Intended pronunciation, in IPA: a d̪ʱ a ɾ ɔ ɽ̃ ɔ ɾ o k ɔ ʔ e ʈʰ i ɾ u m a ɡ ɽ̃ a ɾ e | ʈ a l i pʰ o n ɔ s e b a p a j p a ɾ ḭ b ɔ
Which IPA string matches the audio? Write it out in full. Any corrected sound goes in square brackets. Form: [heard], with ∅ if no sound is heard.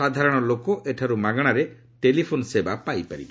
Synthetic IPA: a d̪ʱ a ɾ ɔ ɽ̃ ɔ [l] o k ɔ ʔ e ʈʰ [a] ɾ u m a ɡ ɽ̃ a ɾ e | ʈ [e] l i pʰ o n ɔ s e b a p a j p a ɾ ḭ b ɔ